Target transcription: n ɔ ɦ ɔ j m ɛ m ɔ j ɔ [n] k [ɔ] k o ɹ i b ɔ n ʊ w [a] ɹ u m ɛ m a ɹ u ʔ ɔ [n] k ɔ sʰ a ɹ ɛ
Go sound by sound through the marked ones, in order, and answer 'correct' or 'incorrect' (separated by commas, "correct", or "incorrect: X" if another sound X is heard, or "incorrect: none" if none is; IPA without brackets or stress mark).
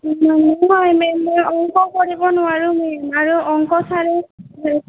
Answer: incorrect: ŋ, correct, correct, incorrect: ŋ